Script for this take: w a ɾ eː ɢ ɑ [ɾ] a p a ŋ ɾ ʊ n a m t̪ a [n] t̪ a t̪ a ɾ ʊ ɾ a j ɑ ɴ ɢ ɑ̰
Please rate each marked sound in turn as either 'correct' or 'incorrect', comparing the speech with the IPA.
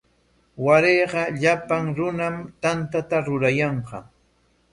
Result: incorrect, correct

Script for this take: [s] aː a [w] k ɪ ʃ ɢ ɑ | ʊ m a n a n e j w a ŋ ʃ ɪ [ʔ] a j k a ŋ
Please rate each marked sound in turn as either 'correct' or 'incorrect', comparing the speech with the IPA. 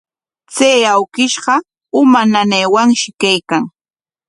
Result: incorrect, correct, incorrect

